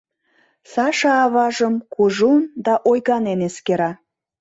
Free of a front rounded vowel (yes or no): yes